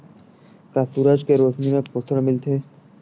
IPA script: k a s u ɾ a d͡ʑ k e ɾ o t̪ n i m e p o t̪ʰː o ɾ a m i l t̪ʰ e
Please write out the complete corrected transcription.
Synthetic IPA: k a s u ɾ a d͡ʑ k e ɾ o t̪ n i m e p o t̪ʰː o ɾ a m i l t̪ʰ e

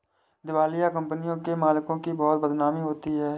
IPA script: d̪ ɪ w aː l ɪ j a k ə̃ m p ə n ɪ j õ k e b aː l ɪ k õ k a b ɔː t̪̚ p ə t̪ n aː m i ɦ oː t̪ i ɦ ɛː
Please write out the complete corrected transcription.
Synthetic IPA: d̪ ɪ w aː l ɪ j a k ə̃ m p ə n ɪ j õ k e m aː l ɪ k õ k i b ɔː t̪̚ b ə d̪ n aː m i ɦ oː t̪ i ɦ ɛː

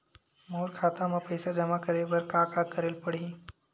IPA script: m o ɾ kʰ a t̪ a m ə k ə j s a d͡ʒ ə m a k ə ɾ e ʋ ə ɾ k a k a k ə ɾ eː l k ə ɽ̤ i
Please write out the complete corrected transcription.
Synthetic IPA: m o ɾ kʰ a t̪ a m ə p ə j s a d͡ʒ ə m a k ə ɾ e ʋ ə ɾ k a k a k ə ɾ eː l p ə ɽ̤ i

